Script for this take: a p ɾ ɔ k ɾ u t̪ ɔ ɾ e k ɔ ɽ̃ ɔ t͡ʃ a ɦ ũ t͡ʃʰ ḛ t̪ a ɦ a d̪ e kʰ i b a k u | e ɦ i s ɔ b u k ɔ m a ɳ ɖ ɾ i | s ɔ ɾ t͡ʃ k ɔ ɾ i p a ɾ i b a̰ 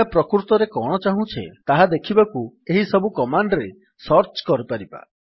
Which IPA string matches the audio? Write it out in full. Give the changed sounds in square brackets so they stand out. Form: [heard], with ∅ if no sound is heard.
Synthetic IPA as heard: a p ɾ ɔ k ɾ u t̪ ɔ ɾ e k ɔ ɽ̃ ɔ t͡ʃ a ɦ ũ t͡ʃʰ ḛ t̪ a ɦ a d̪ e kʰ i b a k u | e ɦ i s ɔ b u k ɔ m a ɳ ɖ ɾ [e] | s ɔ ɾ t͡ʃ k ɔ ɾ i p a ɾ i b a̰